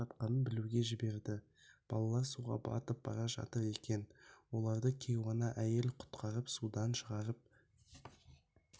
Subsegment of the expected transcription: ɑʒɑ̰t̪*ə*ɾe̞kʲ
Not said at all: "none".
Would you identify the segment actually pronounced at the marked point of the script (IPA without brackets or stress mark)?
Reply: ə